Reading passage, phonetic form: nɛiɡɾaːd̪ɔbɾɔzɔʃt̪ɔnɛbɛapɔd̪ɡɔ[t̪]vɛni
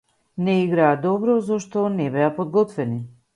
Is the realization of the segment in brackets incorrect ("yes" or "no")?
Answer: no